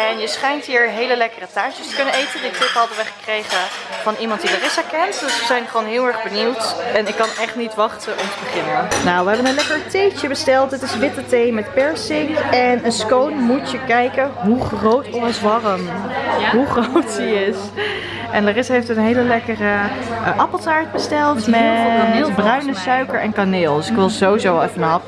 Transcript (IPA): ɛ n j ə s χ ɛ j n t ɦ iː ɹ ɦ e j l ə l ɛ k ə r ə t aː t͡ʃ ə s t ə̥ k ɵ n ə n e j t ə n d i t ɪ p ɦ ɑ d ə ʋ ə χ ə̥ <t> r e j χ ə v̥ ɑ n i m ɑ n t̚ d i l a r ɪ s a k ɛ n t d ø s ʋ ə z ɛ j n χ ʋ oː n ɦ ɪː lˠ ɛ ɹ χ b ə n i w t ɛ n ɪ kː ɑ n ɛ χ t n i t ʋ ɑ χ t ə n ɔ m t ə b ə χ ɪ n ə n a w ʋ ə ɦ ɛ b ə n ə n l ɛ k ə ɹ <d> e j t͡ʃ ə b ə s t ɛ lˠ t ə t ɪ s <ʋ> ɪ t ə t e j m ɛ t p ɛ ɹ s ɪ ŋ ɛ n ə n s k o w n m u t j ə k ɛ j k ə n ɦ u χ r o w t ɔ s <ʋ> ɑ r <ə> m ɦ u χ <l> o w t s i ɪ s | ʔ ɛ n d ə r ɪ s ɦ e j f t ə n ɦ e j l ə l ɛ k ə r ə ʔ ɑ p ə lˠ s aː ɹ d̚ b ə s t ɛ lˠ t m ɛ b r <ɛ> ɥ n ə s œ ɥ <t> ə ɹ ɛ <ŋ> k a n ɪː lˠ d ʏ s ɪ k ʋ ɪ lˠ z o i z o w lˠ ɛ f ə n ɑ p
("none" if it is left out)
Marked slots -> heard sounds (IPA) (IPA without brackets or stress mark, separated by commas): k, t, ʋ, ʋ, ə, r, œ, k, n